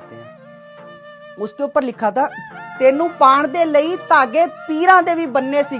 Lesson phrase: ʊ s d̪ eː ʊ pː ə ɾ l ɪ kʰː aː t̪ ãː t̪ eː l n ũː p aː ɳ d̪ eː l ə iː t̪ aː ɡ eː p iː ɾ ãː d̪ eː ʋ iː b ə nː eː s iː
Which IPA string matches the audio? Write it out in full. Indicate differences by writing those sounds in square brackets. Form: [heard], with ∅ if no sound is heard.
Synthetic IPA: ʊ s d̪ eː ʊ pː ə ɾ l ɪ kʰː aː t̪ [aː] t̪ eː [∅] n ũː p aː ɳ d̪ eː l ə iː t̪ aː ɡ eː p iː ɾ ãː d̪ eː ʋ iː b ə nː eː s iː